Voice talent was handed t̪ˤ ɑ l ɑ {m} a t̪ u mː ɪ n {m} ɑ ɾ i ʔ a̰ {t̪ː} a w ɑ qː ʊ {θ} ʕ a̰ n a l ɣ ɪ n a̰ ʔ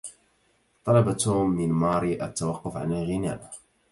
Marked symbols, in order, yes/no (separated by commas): no, yes, yes, no